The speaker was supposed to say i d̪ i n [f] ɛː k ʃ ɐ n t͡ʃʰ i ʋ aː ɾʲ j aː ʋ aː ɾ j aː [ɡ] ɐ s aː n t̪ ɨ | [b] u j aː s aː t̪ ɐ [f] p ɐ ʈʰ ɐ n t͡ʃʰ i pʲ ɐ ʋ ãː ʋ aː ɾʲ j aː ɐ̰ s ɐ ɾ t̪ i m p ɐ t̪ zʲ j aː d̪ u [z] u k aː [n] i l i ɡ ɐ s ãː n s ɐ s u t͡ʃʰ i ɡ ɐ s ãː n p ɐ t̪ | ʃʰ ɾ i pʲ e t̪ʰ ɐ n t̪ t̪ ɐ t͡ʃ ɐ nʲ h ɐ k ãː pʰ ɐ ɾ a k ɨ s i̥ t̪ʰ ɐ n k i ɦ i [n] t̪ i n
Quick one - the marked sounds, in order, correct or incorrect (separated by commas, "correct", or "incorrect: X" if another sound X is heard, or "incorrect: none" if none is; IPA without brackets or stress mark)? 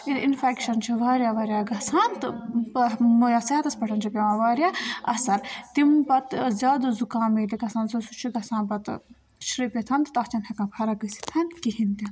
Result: correct, correct, incorrect: m, incorrect: s, correct, incorrect: m, correct